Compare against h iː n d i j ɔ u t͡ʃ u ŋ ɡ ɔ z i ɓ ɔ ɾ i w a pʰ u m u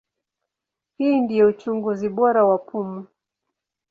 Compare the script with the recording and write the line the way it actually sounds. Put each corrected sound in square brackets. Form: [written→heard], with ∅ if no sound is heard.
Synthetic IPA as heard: h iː n d i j ɔ u t͡ʃ u ŋ ɡ [ɔ→u] z i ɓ ɔ ɾ [i→a] w a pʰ u m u